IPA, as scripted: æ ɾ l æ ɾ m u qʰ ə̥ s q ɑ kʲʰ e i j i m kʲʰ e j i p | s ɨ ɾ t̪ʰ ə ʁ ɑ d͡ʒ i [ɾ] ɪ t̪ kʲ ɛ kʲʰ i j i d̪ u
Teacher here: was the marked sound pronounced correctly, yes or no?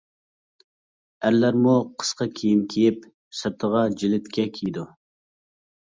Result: no